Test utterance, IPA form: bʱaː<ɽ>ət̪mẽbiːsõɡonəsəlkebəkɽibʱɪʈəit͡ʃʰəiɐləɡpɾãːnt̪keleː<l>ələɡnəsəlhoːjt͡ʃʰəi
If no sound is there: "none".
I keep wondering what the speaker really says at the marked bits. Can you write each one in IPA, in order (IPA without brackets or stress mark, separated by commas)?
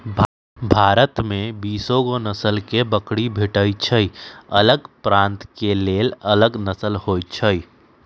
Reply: ɾ, l